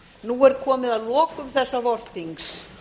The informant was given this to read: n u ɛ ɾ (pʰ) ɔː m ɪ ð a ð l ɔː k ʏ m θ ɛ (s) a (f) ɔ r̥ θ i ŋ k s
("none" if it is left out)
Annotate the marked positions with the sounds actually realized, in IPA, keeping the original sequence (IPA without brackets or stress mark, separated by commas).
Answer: kʰ, sː, v